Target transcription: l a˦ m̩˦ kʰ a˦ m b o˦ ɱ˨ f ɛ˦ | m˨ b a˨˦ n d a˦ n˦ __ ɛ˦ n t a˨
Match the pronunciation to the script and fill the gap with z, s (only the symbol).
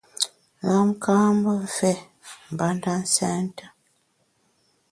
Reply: s